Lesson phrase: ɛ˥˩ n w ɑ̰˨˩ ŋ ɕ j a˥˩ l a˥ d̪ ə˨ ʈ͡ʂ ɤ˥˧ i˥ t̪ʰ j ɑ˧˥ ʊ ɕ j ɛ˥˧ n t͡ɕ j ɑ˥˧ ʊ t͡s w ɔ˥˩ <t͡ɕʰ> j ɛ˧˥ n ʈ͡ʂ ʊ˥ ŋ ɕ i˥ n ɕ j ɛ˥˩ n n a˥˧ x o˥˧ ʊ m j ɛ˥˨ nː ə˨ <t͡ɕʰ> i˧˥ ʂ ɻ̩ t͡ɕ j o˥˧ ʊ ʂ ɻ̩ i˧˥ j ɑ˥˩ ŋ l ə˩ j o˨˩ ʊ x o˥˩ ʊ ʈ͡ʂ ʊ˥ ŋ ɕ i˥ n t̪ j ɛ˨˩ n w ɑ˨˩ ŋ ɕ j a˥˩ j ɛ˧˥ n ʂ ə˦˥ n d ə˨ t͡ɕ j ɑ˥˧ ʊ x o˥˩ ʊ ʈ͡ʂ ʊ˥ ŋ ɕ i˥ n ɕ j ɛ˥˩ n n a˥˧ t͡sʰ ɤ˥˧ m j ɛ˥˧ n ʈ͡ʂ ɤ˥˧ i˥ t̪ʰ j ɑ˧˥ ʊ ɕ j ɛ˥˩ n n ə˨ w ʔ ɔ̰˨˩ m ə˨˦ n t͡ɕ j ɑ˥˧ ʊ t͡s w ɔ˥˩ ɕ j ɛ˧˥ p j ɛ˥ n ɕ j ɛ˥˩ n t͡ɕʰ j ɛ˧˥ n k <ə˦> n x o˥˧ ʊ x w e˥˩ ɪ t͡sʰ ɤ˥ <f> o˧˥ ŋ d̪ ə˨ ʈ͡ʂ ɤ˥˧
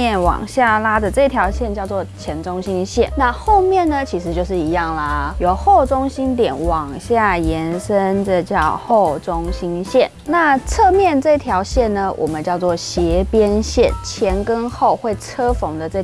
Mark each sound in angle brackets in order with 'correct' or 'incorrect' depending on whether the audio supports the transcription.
correct, correct, correct, correct

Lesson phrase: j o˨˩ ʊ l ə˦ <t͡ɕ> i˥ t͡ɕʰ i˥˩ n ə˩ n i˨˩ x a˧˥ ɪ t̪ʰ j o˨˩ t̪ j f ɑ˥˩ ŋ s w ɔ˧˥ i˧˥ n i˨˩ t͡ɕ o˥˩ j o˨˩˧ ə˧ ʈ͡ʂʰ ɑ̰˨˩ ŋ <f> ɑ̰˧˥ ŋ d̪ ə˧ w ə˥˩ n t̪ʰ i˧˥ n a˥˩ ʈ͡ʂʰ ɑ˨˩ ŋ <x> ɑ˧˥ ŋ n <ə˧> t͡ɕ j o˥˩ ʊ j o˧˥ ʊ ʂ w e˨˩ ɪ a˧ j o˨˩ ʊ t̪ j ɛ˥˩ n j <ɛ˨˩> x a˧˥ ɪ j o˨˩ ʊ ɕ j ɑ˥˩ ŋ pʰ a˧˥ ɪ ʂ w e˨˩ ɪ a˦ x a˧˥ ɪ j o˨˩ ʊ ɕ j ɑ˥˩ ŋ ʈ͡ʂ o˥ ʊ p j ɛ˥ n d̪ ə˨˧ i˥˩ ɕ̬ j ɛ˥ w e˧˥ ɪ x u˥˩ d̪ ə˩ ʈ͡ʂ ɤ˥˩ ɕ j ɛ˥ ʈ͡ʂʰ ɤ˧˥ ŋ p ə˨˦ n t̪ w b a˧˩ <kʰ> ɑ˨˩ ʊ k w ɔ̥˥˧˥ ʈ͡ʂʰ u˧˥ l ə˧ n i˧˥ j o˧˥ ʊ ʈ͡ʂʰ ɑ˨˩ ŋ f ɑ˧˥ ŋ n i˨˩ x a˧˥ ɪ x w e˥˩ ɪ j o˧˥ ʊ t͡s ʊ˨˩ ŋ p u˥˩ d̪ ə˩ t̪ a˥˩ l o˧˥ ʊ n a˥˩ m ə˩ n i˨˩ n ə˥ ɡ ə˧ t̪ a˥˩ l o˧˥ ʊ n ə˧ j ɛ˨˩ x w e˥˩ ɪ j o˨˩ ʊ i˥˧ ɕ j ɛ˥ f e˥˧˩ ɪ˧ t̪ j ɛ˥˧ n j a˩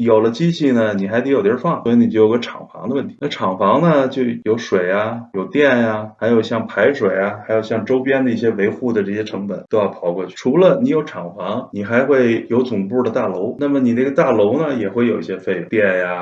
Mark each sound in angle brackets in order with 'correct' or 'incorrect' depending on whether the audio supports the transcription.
correct, correct, incorrect: f, correct, incorrect: a˨˩, incorrect: pʰ

